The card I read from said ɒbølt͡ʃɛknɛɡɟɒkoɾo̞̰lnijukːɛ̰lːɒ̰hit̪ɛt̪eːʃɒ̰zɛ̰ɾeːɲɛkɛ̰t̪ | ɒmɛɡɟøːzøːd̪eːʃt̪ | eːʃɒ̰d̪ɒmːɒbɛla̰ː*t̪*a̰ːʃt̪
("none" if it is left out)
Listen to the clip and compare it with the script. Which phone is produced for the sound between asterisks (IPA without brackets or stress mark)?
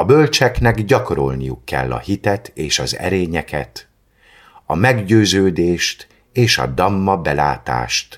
t̪